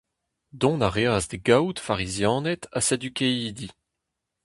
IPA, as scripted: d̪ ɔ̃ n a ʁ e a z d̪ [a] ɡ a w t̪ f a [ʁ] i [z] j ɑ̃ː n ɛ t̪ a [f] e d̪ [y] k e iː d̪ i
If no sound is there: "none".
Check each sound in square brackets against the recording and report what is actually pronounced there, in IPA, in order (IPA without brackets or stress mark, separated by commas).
e, ʁ, z, s, y